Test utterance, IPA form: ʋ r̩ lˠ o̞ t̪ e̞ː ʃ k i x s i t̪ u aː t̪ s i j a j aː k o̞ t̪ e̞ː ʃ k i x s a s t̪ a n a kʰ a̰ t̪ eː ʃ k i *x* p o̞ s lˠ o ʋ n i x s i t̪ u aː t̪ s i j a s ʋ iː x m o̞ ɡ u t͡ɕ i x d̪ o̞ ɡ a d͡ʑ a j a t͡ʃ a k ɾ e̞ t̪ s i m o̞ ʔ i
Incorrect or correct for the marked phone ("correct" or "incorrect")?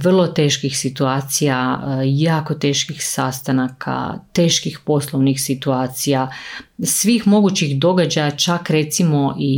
correct